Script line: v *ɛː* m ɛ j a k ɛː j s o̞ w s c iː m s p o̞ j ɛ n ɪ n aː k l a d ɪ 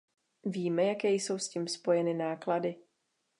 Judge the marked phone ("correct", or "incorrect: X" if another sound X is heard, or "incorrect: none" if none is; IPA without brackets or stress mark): incorrect: iː